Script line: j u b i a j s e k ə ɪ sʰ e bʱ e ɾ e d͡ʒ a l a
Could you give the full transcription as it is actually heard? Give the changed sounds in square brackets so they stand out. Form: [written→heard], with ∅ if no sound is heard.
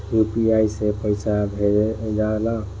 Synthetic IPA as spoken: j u [b→p] i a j s e [k→p] ə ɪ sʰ [e→a] bʱ e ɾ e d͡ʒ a l a